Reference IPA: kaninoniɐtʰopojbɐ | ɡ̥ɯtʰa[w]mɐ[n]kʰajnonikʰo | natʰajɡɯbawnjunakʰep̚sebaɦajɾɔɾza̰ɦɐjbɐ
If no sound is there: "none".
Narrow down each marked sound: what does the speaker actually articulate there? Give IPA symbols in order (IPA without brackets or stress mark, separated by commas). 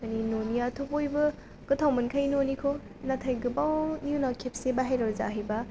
w, n